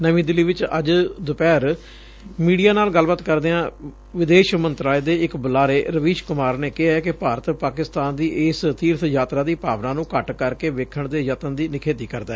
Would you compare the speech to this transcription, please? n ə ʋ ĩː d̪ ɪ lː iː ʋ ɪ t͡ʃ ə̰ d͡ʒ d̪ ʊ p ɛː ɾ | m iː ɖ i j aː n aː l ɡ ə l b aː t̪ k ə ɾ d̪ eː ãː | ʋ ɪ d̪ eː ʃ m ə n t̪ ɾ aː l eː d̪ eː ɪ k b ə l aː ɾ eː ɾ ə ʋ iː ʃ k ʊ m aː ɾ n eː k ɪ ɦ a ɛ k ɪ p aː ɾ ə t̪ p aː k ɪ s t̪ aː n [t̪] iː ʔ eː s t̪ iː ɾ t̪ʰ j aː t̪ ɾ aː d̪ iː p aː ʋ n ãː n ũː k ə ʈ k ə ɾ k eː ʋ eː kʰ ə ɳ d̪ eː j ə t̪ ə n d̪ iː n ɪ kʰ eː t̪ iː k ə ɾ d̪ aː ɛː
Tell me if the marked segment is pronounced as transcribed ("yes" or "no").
no